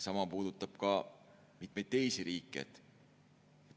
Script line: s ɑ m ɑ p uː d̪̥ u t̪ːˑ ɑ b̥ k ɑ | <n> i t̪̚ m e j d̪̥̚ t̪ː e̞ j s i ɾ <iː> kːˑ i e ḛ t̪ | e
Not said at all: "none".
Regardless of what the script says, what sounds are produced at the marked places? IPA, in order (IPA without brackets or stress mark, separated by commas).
m, iː